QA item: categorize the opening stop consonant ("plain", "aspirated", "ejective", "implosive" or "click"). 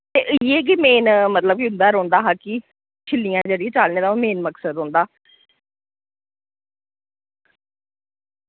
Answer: plain